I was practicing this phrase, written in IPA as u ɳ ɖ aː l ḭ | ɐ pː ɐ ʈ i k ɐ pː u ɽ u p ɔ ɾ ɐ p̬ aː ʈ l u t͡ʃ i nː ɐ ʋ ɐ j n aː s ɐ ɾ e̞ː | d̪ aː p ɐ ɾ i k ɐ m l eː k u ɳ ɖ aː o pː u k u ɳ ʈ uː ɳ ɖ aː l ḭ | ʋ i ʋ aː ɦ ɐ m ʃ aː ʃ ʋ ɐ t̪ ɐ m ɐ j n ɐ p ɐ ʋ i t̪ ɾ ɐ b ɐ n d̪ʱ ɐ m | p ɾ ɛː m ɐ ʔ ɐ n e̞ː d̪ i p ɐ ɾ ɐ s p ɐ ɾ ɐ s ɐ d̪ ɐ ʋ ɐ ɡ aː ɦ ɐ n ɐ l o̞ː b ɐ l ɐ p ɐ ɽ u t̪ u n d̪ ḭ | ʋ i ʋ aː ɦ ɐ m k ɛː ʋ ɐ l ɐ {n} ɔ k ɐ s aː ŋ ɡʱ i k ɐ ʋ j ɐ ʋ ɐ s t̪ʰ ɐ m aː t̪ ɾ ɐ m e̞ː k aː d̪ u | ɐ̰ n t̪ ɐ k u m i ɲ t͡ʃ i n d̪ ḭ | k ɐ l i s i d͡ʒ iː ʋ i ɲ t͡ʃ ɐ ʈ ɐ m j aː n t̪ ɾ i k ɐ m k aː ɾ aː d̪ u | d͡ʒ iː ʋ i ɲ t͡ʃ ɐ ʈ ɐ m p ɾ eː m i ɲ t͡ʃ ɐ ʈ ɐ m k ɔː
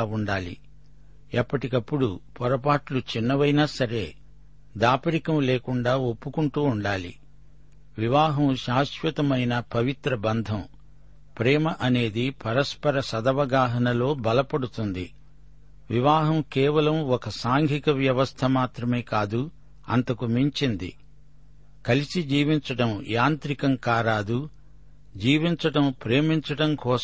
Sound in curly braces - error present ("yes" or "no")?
yes